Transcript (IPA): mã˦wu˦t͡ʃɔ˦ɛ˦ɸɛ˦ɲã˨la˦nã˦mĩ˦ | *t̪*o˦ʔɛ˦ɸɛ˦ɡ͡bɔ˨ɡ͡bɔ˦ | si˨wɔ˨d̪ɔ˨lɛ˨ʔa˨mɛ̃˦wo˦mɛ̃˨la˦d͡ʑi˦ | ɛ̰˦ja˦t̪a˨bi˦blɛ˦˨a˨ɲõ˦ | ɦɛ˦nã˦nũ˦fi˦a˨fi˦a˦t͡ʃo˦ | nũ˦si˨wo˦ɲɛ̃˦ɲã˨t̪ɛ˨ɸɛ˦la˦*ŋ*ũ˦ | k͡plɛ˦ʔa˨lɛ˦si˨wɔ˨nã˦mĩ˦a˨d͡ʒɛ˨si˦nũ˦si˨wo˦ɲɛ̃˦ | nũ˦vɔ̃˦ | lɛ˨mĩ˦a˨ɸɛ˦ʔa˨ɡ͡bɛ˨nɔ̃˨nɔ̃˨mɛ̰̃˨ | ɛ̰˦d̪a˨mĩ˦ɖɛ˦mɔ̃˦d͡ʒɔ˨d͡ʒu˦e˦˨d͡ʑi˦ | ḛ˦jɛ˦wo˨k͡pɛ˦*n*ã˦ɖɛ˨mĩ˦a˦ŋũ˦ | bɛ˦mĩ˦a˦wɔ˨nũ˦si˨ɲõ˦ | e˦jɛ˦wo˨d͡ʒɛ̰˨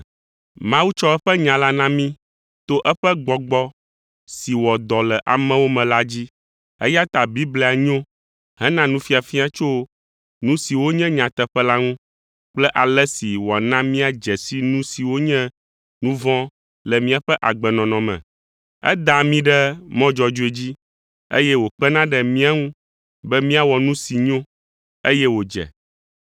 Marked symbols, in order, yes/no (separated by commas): yes, yes, yes